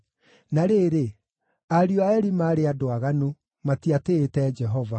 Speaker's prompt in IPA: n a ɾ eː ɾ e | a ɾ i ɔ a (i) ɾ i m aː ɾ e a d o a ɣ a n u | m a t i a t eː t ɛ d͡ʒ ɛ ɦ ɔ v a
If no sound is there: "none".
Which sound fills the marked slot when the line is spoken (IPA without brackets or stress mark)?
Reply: ɛ